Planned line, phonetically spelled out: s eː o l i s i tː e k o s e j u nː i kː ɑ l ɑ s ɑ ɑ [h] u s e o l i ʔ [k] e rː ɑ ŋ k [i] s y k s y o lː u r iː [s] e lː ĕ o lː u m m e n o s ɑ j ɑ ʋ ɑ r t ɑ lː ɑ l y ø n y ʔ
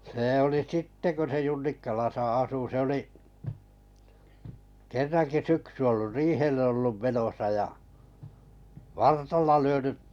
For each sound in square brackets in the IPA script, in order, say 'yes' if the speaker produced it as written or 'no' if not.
no, yes, yes, no

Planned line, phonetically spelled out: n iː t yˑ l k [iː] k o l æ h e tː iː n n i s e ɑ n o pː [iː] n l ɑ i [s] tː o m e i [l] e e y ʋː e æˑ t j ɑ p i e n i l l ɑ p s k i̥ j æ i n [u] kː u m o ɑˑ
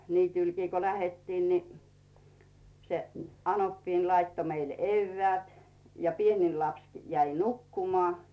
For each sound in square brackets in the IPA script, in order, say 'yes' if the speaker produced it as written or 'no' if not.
yes, yes, no, yes, yes

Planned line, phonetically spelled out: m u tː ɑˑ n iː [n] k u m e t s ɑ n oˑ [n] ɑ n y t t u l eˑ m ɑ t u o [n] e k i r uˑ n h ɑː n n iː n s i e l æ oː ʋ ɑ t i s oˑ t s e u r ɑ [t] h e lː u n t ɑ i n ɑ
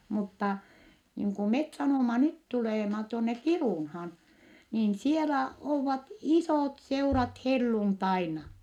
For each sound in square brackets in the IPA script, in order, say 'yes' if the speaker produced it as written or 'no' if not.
no, no, no, yes

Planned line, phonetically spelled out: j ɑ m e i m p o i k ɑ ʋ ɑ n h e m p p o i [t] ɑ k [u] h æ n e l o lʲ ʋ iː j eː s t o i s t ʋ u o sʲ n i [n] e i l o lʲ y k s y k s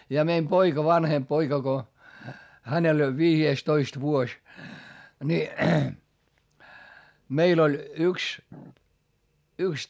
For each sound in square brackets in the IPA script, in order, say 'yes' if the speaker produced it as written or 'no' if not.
no, no, no

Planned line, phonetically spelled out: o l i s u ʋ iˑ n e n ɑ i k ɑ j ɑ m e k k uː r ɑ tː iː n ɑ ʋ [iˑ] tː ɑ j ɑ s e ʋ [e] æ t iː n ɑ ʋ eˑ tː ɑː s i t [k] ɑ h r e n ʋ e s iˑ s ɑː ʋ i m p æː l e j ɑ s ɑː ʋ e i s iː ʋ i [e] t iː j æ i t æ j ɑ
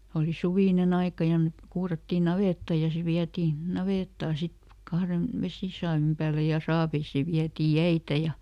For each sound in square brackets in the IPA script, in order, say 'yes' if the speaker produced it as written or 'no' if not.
no, no, yes, no

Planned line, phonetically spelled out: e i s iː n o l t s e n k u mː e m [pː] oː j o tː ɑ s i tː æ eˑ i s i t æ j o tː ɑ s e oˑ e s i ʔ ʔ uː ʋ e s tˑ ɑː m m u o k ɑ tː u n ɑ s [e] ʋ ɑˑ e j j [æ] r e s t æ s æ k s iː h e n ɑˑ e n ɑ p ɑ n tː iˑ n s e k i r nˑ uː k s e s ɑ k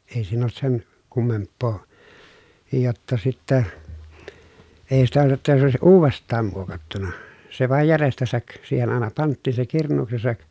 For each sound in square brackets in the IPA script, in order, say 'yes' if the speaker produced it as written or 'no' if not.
yes, yes, yes

